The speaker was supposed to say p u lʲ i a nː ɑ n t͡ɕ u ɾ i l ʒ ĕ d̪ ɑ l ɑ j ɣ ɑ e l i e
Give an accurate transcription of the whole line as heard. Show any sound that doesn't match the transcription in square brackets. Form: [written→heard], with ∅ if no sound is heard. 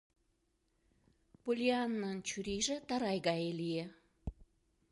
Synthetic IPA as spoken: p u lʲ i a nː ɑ n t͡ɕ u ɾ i [l→∅] ʒ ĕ [d̪→t̪] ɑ [l→ɾ] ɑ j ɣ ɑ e l i e